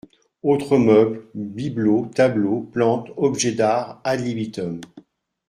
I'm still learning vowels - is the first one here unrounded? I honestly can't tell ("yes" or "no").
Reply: no